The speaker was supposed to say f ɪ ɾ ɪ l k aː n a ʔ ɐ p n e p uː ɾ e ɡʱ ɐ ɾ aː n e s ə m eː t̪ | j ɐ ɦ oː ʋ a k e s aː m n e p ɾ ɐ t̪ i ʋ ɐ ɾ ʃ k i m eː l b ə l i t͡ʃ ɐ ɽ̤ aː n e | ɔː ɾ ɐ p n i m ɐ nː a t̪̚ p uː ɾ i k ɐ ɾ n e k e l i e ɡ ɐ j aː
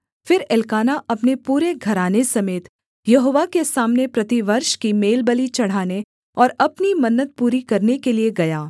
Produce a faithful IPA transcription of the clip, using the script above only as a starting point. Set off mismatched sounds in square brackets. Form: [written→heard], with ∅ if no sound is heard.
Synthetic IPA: f ɪ ɾ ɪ l k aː n a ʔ ɐ p n e p uː ɾ e ɡʱ ɐ ɾ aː n e s [ə→ɐ] m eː t̪ | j ɐ ɦ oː ʋ a k e s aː m n e p ɾ ɐ t̪ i ʋ ɐ ɾ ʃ k i m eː l b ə l i t͡ʃ ɐ ɽ̤ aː n e | ɔː ɾ ɐ p n i m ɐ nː [a→ə] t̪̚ p uː ɾ i k ɐ ɾ n e k e l i e ɡ ɐ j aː